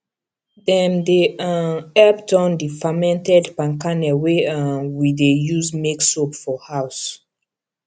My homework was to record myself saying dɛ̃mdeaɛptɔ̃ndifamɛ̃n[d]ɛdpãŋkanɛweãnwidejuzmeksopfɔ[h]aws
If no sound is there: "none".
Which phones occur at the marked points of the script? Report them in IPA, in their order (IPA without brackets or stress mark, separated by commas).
t, h